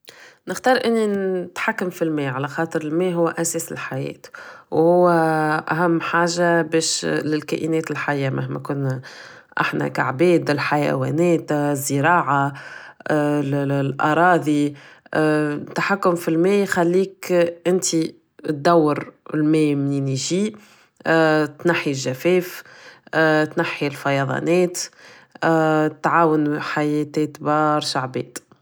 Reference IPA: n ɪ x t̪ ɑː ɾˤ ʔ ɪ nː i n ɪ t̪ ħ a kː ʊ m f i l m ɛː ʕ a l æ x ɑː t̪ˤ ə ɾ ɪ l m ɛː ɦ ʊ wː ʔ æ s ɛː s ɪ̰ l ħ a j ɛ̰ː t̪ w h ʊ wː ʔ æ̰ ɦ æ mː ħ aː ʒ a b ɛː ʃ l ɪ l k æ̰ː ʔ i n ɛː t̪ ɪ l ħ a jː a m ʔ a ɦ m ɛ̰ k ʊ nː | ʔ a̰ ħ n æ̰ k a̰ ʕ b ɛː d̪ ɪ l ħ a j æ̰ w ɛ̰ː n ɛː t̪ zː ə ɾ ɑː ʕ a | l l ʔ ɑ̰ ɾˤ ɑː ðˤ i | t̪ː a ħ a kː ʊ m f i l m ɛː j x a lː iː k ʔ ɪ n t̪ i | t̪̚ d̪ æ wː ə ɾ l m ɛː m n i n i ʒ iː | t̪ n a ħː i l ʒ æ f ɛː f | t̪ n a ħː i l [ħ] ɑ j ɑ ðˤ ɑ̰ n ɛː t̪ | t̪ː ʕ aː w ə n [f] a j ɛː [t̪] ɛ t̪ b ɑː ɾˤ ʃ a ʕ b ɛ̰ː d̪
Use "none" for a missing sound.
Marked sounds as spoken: f, ħ, t̪

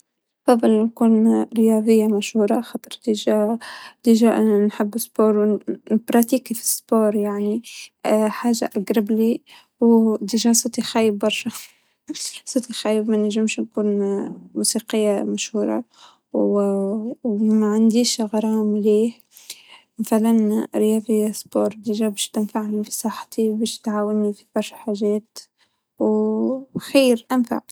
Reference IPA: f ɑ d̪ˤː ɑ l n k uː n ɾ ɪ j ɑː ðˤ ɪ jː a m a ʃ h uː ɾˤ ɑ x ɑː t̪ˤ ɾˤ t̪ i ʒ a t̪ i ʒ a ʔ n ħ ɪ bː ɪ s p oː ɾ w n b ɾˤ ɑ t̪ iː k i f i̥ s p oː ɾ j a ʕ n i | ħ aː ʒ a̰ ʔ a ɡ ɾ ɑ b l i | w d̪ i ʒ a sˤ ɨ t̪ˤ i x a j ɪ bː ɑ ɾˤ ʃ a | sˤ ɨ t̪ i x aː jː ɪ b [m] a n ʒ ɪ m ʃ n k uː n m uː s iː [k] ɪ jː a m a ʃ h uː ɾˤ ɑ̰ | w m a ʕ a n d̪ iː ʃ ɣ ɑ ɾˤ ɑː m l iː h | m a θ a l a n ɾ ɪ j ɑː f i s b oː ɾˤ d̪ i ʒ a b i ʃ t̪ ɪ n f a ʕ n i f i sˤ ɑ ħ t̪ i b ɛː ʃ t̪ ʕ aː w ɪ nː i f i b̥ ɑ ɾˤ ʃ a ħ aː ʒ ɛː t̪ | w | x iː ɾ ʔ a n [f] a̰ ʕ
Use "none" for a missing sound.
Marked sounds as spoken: m, q, f

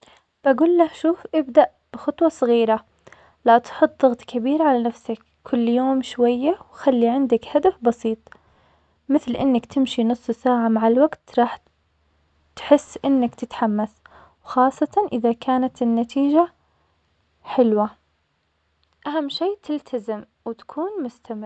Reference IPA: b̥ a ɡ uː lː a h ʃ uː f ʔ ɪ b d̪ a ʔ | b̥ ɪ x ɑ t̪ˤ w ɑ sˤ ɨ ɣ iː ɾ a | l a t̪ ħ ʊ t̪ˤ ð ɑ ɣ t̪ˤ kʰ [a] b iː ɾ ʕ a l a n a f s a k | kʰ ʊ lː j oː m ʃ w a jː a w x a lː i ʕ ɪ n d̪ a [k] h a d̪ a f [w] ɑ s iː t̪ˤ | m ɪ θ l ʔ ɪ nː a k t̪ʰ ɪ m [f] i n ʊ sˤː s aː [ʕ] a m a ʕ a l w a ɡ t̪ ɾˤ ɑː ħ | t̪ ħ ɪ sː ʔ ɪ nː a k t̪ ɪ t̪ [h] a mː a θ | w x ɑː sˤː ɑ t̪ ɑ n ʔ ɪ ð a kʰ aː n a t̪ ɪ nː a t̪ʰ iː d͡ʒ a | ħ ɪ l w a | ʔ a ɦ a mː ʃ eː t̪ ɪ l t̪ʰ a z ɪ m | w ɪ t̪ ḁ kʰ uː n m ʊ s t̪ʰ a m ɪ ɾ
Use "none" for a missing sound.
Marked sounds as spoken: a, k, b, ʃ, ʕ, ħ

